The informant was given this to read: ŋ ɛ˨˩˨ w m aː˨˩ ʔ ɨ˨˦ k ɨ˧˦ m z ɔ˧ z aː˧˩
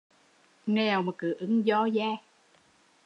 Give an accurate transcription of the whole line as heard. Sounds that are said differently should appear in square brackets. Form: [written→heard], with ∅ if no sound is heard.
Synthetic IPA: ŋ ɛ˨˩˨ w m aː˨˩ [ʔ→k] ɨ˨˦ [k→ʔ] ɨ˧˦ [m→ŋ] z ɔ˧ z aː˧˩

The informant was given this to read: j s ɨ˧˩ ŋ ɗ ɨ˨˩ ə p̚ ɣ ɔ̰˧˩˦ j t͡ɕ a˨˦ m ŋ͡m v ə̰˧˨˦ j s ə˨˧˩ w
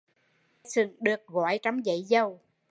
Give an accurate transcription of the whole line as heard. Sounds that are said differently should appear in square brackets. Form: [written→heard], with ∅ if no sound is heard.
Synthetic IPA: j s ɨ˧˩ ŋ ɗ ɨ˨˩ ə [p̚→k̚] ɣ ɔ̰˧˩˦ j t͡ɕ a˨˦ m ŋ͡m [v→z] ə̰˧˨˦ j [s→z] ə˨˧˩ w

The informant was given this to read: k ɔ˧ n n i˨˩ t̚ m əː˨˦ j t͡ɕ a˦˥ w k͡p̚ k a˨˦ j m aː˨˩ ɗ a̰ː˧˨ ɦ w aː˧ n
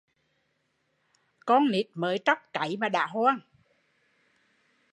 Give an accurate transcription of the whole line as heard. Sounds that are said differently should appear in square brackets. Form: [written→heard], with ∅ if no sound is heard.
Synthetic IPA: k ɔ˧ n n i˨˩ t̚ m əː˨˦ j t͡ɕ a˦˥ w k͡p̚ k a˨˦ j m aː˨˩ ɗ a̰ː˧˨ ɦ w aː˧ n

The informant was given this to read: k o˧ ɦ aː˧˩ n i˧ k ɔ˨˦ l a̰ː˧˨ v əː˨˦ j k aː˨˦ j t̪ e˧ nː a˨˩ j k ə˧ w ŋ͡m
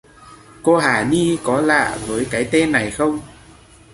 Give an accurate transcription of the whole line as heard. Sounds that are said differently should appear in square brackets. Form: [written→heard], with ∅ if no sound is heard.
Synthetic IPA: k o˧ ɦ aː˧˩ n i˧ k ɔ˨˦ l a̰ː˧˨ v əː˨˦ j k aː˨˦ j t̪ e˧ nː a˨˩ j [k→x] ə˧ w ŋ͡m

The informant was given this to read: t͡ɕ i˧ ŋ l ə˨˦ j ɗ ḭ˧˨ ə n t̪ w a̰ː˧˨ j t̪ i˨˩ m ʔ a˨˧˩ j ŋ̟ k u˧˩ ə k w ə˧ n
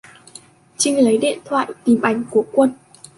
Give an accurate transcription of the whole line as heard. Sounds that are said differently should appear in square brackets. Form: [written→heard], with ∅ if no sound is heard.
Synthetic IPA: t͡ɕ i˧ ŋ l ə˨˦ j ɗ ḭ˧˨ ə n [t̪→t̪ʰ] w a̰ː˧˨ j t̪ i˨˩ m ʔ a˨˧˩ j ŋ̟ k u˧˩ ə k w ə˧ n

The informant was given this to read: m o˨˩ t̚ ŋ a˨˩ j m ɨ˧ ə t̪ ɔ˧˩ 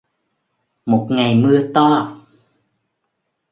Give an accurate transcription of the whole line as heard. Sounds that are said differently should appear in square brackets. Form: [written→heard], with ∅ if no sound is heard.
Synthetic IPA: m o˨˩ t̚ ŋ a˨˩ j m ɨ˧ ə t̪ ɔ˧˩

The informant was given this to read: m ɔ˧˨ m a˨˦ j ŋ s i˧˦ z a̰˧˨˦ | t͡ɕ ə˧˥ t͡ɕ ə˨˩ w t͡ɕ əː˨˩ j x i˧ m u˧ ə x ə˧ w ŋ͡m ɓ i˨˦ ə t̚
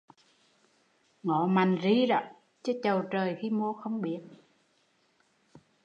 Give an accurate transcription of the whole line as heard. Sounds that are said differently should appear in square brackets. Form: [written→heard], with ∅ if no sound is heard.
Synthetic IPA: [m→ŋ] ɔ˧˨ m [a˨˦→a˨˩] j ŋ [s→z] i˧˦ z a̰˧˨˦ | t͡ɕ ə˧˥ t͡ɕ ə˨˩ w t͡ɕ əː˨˩ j x i˧ m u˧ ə x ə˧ w ŋ͡m ɓ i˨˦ ə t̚

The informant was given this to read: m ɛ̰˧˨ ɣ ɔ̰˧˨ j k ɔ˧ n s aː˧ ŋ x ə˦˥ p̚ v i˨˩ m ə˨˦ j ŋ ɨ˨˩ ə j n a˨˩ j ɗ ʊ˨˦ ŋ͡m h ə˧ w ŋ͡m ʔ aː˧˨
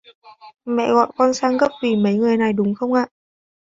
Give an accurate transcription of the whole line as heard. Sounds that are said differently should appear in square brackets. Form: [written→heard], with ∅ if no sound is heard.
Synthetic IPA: m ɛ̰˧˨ ɣ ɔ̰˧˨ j k ɔ˧ n s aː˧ ŋ [x→ɣ] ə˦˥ p̚ v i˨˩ m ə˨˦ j ŋ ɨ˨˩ ə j n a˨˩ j ɗ ʊ˨˦ ŋ͡m [h→x] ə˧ w ŋ͡m ʔ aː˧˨

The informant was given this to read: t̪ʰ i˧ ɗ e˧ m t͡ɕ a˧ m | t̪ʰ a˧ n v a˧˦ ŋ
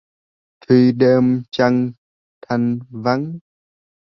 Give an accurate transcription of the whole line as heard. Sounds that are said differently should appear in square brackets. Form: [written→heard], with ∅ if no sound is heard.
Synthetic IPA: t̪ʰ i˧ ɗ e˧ m t͡ɕ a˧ [m→ŋ] | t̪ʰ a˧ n v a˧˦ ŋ

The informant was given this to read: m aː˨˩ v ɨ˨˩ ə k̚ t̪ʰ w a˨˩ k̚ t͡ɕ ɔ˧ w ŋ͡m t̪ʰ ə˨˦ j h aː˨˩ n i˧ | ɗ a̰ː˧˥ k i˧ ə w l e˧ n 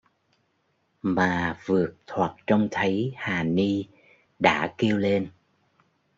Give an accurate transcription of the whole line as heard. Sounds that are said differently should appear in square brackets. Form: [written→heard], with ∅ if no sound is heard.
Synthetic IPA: m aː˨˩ v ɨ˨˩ ə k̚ t̪ʰ w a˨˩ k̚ t͡ɕ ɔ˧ w ŋ͡m t̪ʰ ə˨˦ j h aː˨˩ n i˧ | ɗ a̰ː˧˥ k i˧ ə w l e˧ n

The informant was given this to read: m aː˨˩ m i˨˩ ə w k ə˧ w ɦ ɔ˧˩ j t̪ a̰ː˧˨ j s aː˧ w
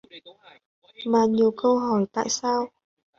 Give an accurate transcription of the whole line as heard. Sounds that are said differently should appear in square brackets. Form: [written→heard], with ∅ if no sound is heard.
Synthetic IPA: m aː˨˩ [m→ɲ] i˨˩ ə w k ə˧ w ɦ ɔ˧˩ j t̪ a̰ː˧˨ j s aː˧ w

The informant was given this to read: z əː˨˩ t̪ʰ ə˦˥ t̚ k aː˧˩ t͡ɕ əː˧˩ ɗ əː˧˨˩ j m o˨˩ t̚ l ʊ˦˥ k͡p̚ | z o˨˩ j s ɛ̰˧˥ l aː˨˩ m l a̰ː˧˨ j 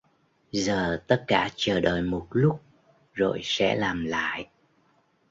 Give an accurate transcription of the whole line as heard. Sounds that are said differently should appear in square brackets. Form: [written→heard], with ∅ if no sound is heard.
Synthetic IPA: z əː˨˩ [t̪ʰ→t̪] ə˦˥ t̚ k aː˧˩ t͡ɕ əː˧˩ ɗ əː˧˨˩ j m o˨˩ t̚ l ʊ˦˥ k͡p̚ | z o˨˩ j s ɛ̰˧˥ l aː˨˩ m l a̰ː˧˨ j

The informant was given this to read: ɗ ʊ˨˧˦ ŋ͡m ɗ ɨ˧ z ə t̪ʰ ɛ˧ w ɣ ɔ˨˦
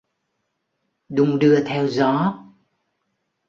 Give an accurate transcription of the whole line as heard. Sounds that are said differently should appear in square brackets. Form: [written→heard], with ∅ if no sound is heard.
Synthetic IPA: ɗ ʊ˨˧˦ ŋ͡m ɗ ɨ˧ [z→∅] ə t̪ʰ ɛ˧ w [ɣ→z] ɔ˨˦

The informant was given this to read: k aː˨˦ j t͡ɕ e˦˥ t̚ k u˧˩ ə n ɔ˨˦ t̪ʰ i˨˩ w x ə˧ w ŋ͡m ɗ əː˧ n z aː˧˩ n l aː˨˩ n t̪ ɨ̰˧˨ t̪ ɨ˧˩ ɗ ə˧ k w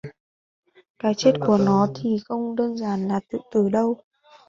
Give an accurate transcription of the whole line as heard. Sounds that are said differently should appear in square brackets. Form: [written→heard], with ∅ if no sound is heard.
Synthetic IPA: k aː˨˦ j t͡ɕ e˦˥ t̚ k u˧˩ ə n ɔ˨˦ t̪ʰ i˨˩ [w→∅] x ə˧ w ŋ͡m ɗ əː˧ n z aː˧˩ n l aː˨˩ [n→∅] t̪ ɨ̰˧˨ t̪ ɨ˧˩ ɗ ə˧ [k→∅] w

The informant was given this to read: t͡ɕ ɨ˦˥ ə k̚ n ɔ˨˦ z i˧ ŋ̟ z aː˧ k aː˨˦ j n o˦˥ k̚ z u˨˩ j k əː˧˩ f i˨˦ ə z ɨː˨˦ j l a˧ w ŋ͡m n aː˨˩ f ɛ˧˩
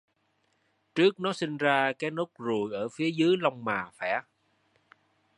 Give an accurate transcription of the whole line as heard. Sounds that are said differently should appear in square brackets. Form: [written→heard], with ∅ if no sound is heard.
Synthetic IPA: t͡ɕ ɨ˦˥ ə k̚ n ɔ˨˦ [z→s] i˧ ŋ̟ z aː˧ k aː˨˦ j n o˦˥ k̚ z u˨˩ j [k→ʔ] əː˧˩ f i˨˦ ə z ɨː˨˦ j l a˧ w ŋ͡m [n→m] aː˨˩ f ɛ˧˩

